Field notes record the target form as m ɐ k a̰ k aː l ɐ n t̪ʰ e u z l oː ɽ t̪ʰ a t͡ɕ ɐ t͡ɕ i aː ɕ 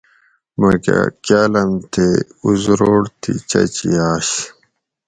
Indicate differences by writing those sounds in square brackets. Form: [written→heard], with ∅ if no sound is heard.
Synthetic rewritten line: m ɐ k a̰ k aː l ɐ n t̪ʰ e u z [l→ɾ] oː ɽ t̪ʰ [a→i] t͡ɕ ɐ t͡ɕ i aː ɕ